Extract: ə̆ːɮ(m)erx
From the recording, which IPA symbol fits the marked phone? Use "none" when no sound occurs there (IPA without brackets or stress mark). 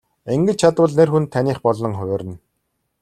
n